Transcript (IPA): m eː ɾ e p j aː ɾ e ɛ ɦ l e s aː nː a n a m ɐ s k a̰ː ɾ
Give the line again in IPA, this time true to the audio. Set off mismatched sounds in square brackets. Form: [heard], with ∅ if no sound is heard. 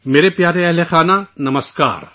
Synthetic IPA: m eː ɾ e p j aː ɾ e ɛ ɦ l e [x] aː [n] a n [ɐ] m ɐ s k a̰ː ɾ